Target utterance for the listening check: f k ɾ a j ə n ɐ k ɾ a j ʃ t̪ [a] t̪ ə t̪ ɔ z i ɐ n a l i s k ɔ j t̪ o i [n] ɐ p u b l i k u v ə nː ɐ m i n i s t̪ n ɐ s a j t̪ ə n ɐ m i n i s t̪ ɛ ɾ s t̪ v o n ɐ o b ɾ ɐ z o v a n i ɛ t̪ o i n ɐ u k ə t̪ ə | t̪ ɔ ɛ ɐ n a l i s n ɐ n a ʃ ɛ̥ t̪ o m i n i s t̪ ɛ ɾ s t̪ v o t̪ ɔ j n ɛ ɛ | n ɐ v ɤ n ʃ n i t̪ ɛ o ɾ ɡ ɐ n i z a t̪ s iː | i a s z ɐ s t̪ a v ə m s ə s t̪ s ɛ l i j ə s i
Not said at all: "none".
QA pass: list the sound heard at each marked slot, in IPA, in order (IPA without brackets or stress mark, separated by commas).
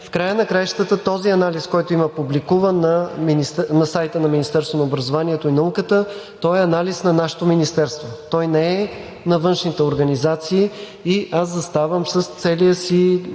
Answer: ə, m